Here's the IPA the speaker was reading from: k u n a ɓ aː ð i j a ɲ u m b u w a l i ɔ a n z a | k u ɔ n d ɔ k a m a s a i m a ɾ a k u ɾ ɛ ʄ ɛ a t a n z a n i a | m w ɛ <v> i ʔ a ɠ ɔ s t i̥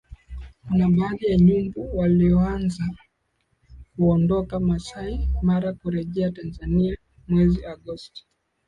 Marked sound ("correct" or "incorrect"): incorrect